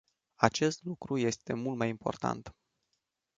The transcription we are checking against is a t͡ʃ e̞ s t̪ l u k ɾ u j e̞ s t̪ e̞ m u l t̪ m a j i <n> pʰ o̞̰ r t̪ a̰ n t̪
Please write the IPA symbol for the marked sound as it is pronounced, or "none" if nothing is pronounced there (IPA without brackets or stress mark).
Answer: m